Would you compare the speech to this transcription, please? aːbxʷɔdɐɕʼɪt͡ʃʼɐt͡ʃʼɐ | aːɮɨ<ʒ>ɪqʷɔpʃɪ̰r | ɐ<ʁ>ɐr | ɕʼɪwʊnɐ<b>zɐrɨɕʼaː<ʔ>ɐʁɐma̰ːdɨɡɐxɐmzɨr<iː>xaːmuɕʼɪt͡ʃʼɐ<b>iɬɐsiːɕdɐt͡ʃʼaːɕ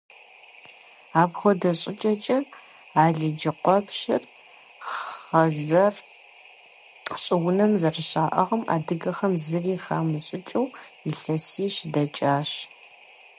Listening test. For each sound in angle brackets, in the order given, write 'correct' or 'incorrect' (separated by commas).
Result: incorrect, incorrect, incorrect, correct, correct, incorrect